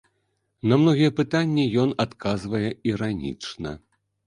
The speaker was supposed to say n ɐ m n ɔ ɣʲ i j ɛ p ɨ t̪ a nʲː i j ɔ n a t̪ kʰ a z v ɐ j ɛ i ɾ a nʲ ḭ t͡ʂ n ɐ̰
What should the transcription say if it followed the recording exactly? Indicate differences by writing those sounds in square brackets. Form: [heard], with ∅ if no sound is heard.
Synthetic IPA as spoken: n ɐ m n ɔ ɣʲ i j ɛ p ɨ t̪ a nʲː i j ɔ n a t̪ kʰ a z v ɐ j ɛ i ɾ a nʲ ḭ t͡ʂ n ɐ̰